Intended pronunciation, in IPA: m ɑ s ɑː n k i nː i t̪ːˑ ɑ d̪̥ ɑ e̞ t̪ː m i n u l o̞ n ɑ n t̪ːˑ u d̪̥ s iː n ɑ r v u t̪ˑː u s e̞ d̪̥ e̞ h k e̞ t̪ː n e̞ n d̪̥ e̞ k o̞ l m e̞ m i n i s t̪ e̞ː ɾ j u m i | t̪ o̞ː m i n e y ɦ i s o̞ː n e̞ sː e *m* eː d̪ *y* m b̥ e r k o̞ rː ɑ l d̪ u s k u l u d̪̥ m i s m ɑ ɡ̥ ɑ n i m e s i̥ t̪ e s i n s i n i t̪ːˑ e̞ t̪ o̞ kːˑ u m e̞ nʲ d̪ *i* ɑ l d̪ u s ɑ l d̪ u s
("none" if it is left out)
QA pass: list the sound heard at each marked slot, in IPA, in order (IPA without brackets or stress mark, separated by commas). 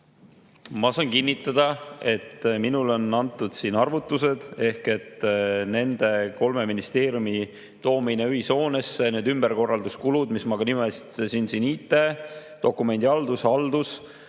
n, y, i